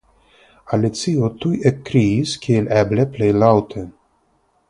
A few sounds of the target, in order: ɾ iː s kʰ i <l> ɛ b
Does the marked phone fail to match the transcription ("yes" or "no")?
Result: no